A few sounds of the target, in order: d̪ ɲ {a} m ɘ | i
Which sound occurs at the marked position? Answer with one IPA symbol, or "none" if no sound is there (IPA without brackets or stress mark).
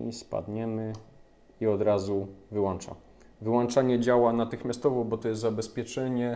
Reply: ɛ